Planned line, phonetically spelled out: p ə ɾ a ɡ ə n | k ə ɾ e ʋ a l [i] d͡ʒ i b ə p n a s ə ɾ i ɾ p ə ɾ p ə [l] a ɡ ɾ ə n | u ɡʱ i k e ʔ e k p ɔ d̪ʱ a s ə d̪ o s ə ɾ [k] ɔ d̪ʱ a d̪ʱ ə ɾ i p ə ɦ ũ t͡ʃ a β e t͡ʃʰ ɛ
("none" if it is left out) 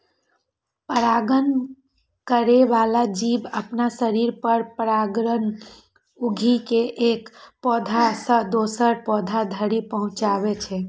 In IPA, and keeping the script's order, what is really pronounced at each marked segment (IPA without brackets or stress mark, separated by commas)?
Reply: a, ɾ, p